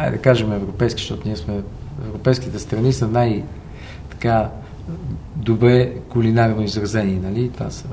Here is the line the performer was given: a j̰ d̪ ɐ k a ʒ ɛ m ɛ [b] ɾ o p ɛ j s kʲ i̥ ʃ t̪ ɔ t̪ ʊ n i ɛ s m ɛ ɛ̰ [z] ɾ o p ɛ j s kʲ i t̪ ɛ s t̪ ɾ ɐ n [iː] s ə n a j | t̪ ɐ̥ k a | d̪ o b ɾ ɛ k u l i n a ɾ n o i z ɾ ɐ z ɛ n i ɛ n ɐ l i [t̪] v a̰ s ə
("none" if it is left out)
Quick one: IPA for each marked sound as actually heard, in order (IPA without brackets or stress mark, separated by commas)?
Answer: v, v, i, t̪